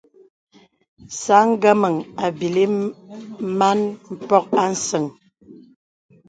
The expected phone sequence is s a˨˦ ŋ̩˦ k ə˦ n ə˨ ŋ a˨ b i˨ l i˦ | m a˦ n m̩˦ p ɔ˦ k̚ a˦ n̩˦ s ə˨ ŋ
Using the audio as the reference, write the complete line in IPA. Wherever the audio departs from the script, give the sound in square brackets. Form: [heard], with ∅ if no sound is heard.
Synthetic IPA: s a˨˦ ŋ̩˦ [ɡ] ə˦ [m] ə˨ ŋ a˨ b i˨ l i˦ | m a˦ n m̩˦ p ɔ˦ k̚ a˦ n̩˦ s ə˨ ŋ